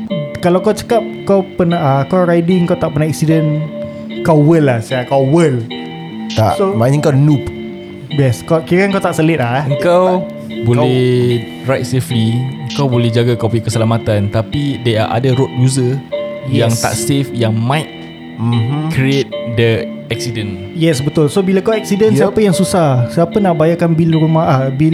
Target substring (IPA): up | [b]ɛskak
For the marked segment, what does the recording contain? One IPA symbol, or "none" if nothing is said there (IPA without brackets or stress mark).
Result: b